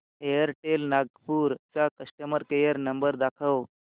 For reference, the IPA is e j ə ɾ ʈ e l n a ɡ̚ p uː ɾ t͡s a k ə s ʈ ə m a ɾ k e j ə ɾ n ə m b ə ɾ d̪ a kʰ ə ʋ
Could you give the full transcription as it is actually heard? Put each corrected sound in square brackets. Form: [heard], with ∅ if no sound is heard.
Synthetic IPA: e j ə ɾ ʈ e l n a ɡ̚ p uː ɾ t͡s a k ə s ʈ ə m [ə] ɾ k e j ə ɾ n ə m b ə ɾ d̪ a kʰ ə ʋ